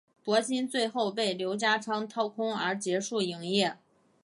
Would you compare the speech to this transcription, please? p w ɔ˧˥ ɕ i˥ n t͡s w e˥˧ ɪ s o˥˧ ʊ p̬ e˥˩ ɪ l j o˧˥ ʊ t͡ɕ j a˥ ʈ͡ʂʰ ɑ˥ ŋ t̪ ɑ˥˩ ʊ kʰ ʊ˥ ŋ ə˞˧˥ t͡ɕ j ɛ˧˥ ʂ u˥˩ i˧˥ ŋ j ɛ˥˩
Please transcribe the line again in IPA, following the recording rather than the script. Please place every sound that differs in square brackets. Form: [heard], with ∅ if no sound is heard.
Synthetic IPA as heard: p w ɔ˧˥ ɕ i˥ n t͡s w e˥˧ ɪ [x] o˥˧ ʊ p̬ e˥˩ ɪ l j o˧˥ ʊ t͡ɕ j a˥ ʈ͡ʂʰ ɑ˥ ŋ [t̪ʰ] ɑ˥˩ ʊ kʰ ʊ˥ ŋ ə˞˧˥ t͡ɕ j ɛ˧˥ ʂ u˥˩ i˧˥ ŋ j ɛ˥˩